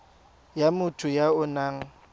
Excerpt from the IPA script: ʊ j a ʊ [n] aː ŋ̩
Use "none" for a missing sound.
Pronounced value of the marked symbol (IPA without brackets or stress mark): n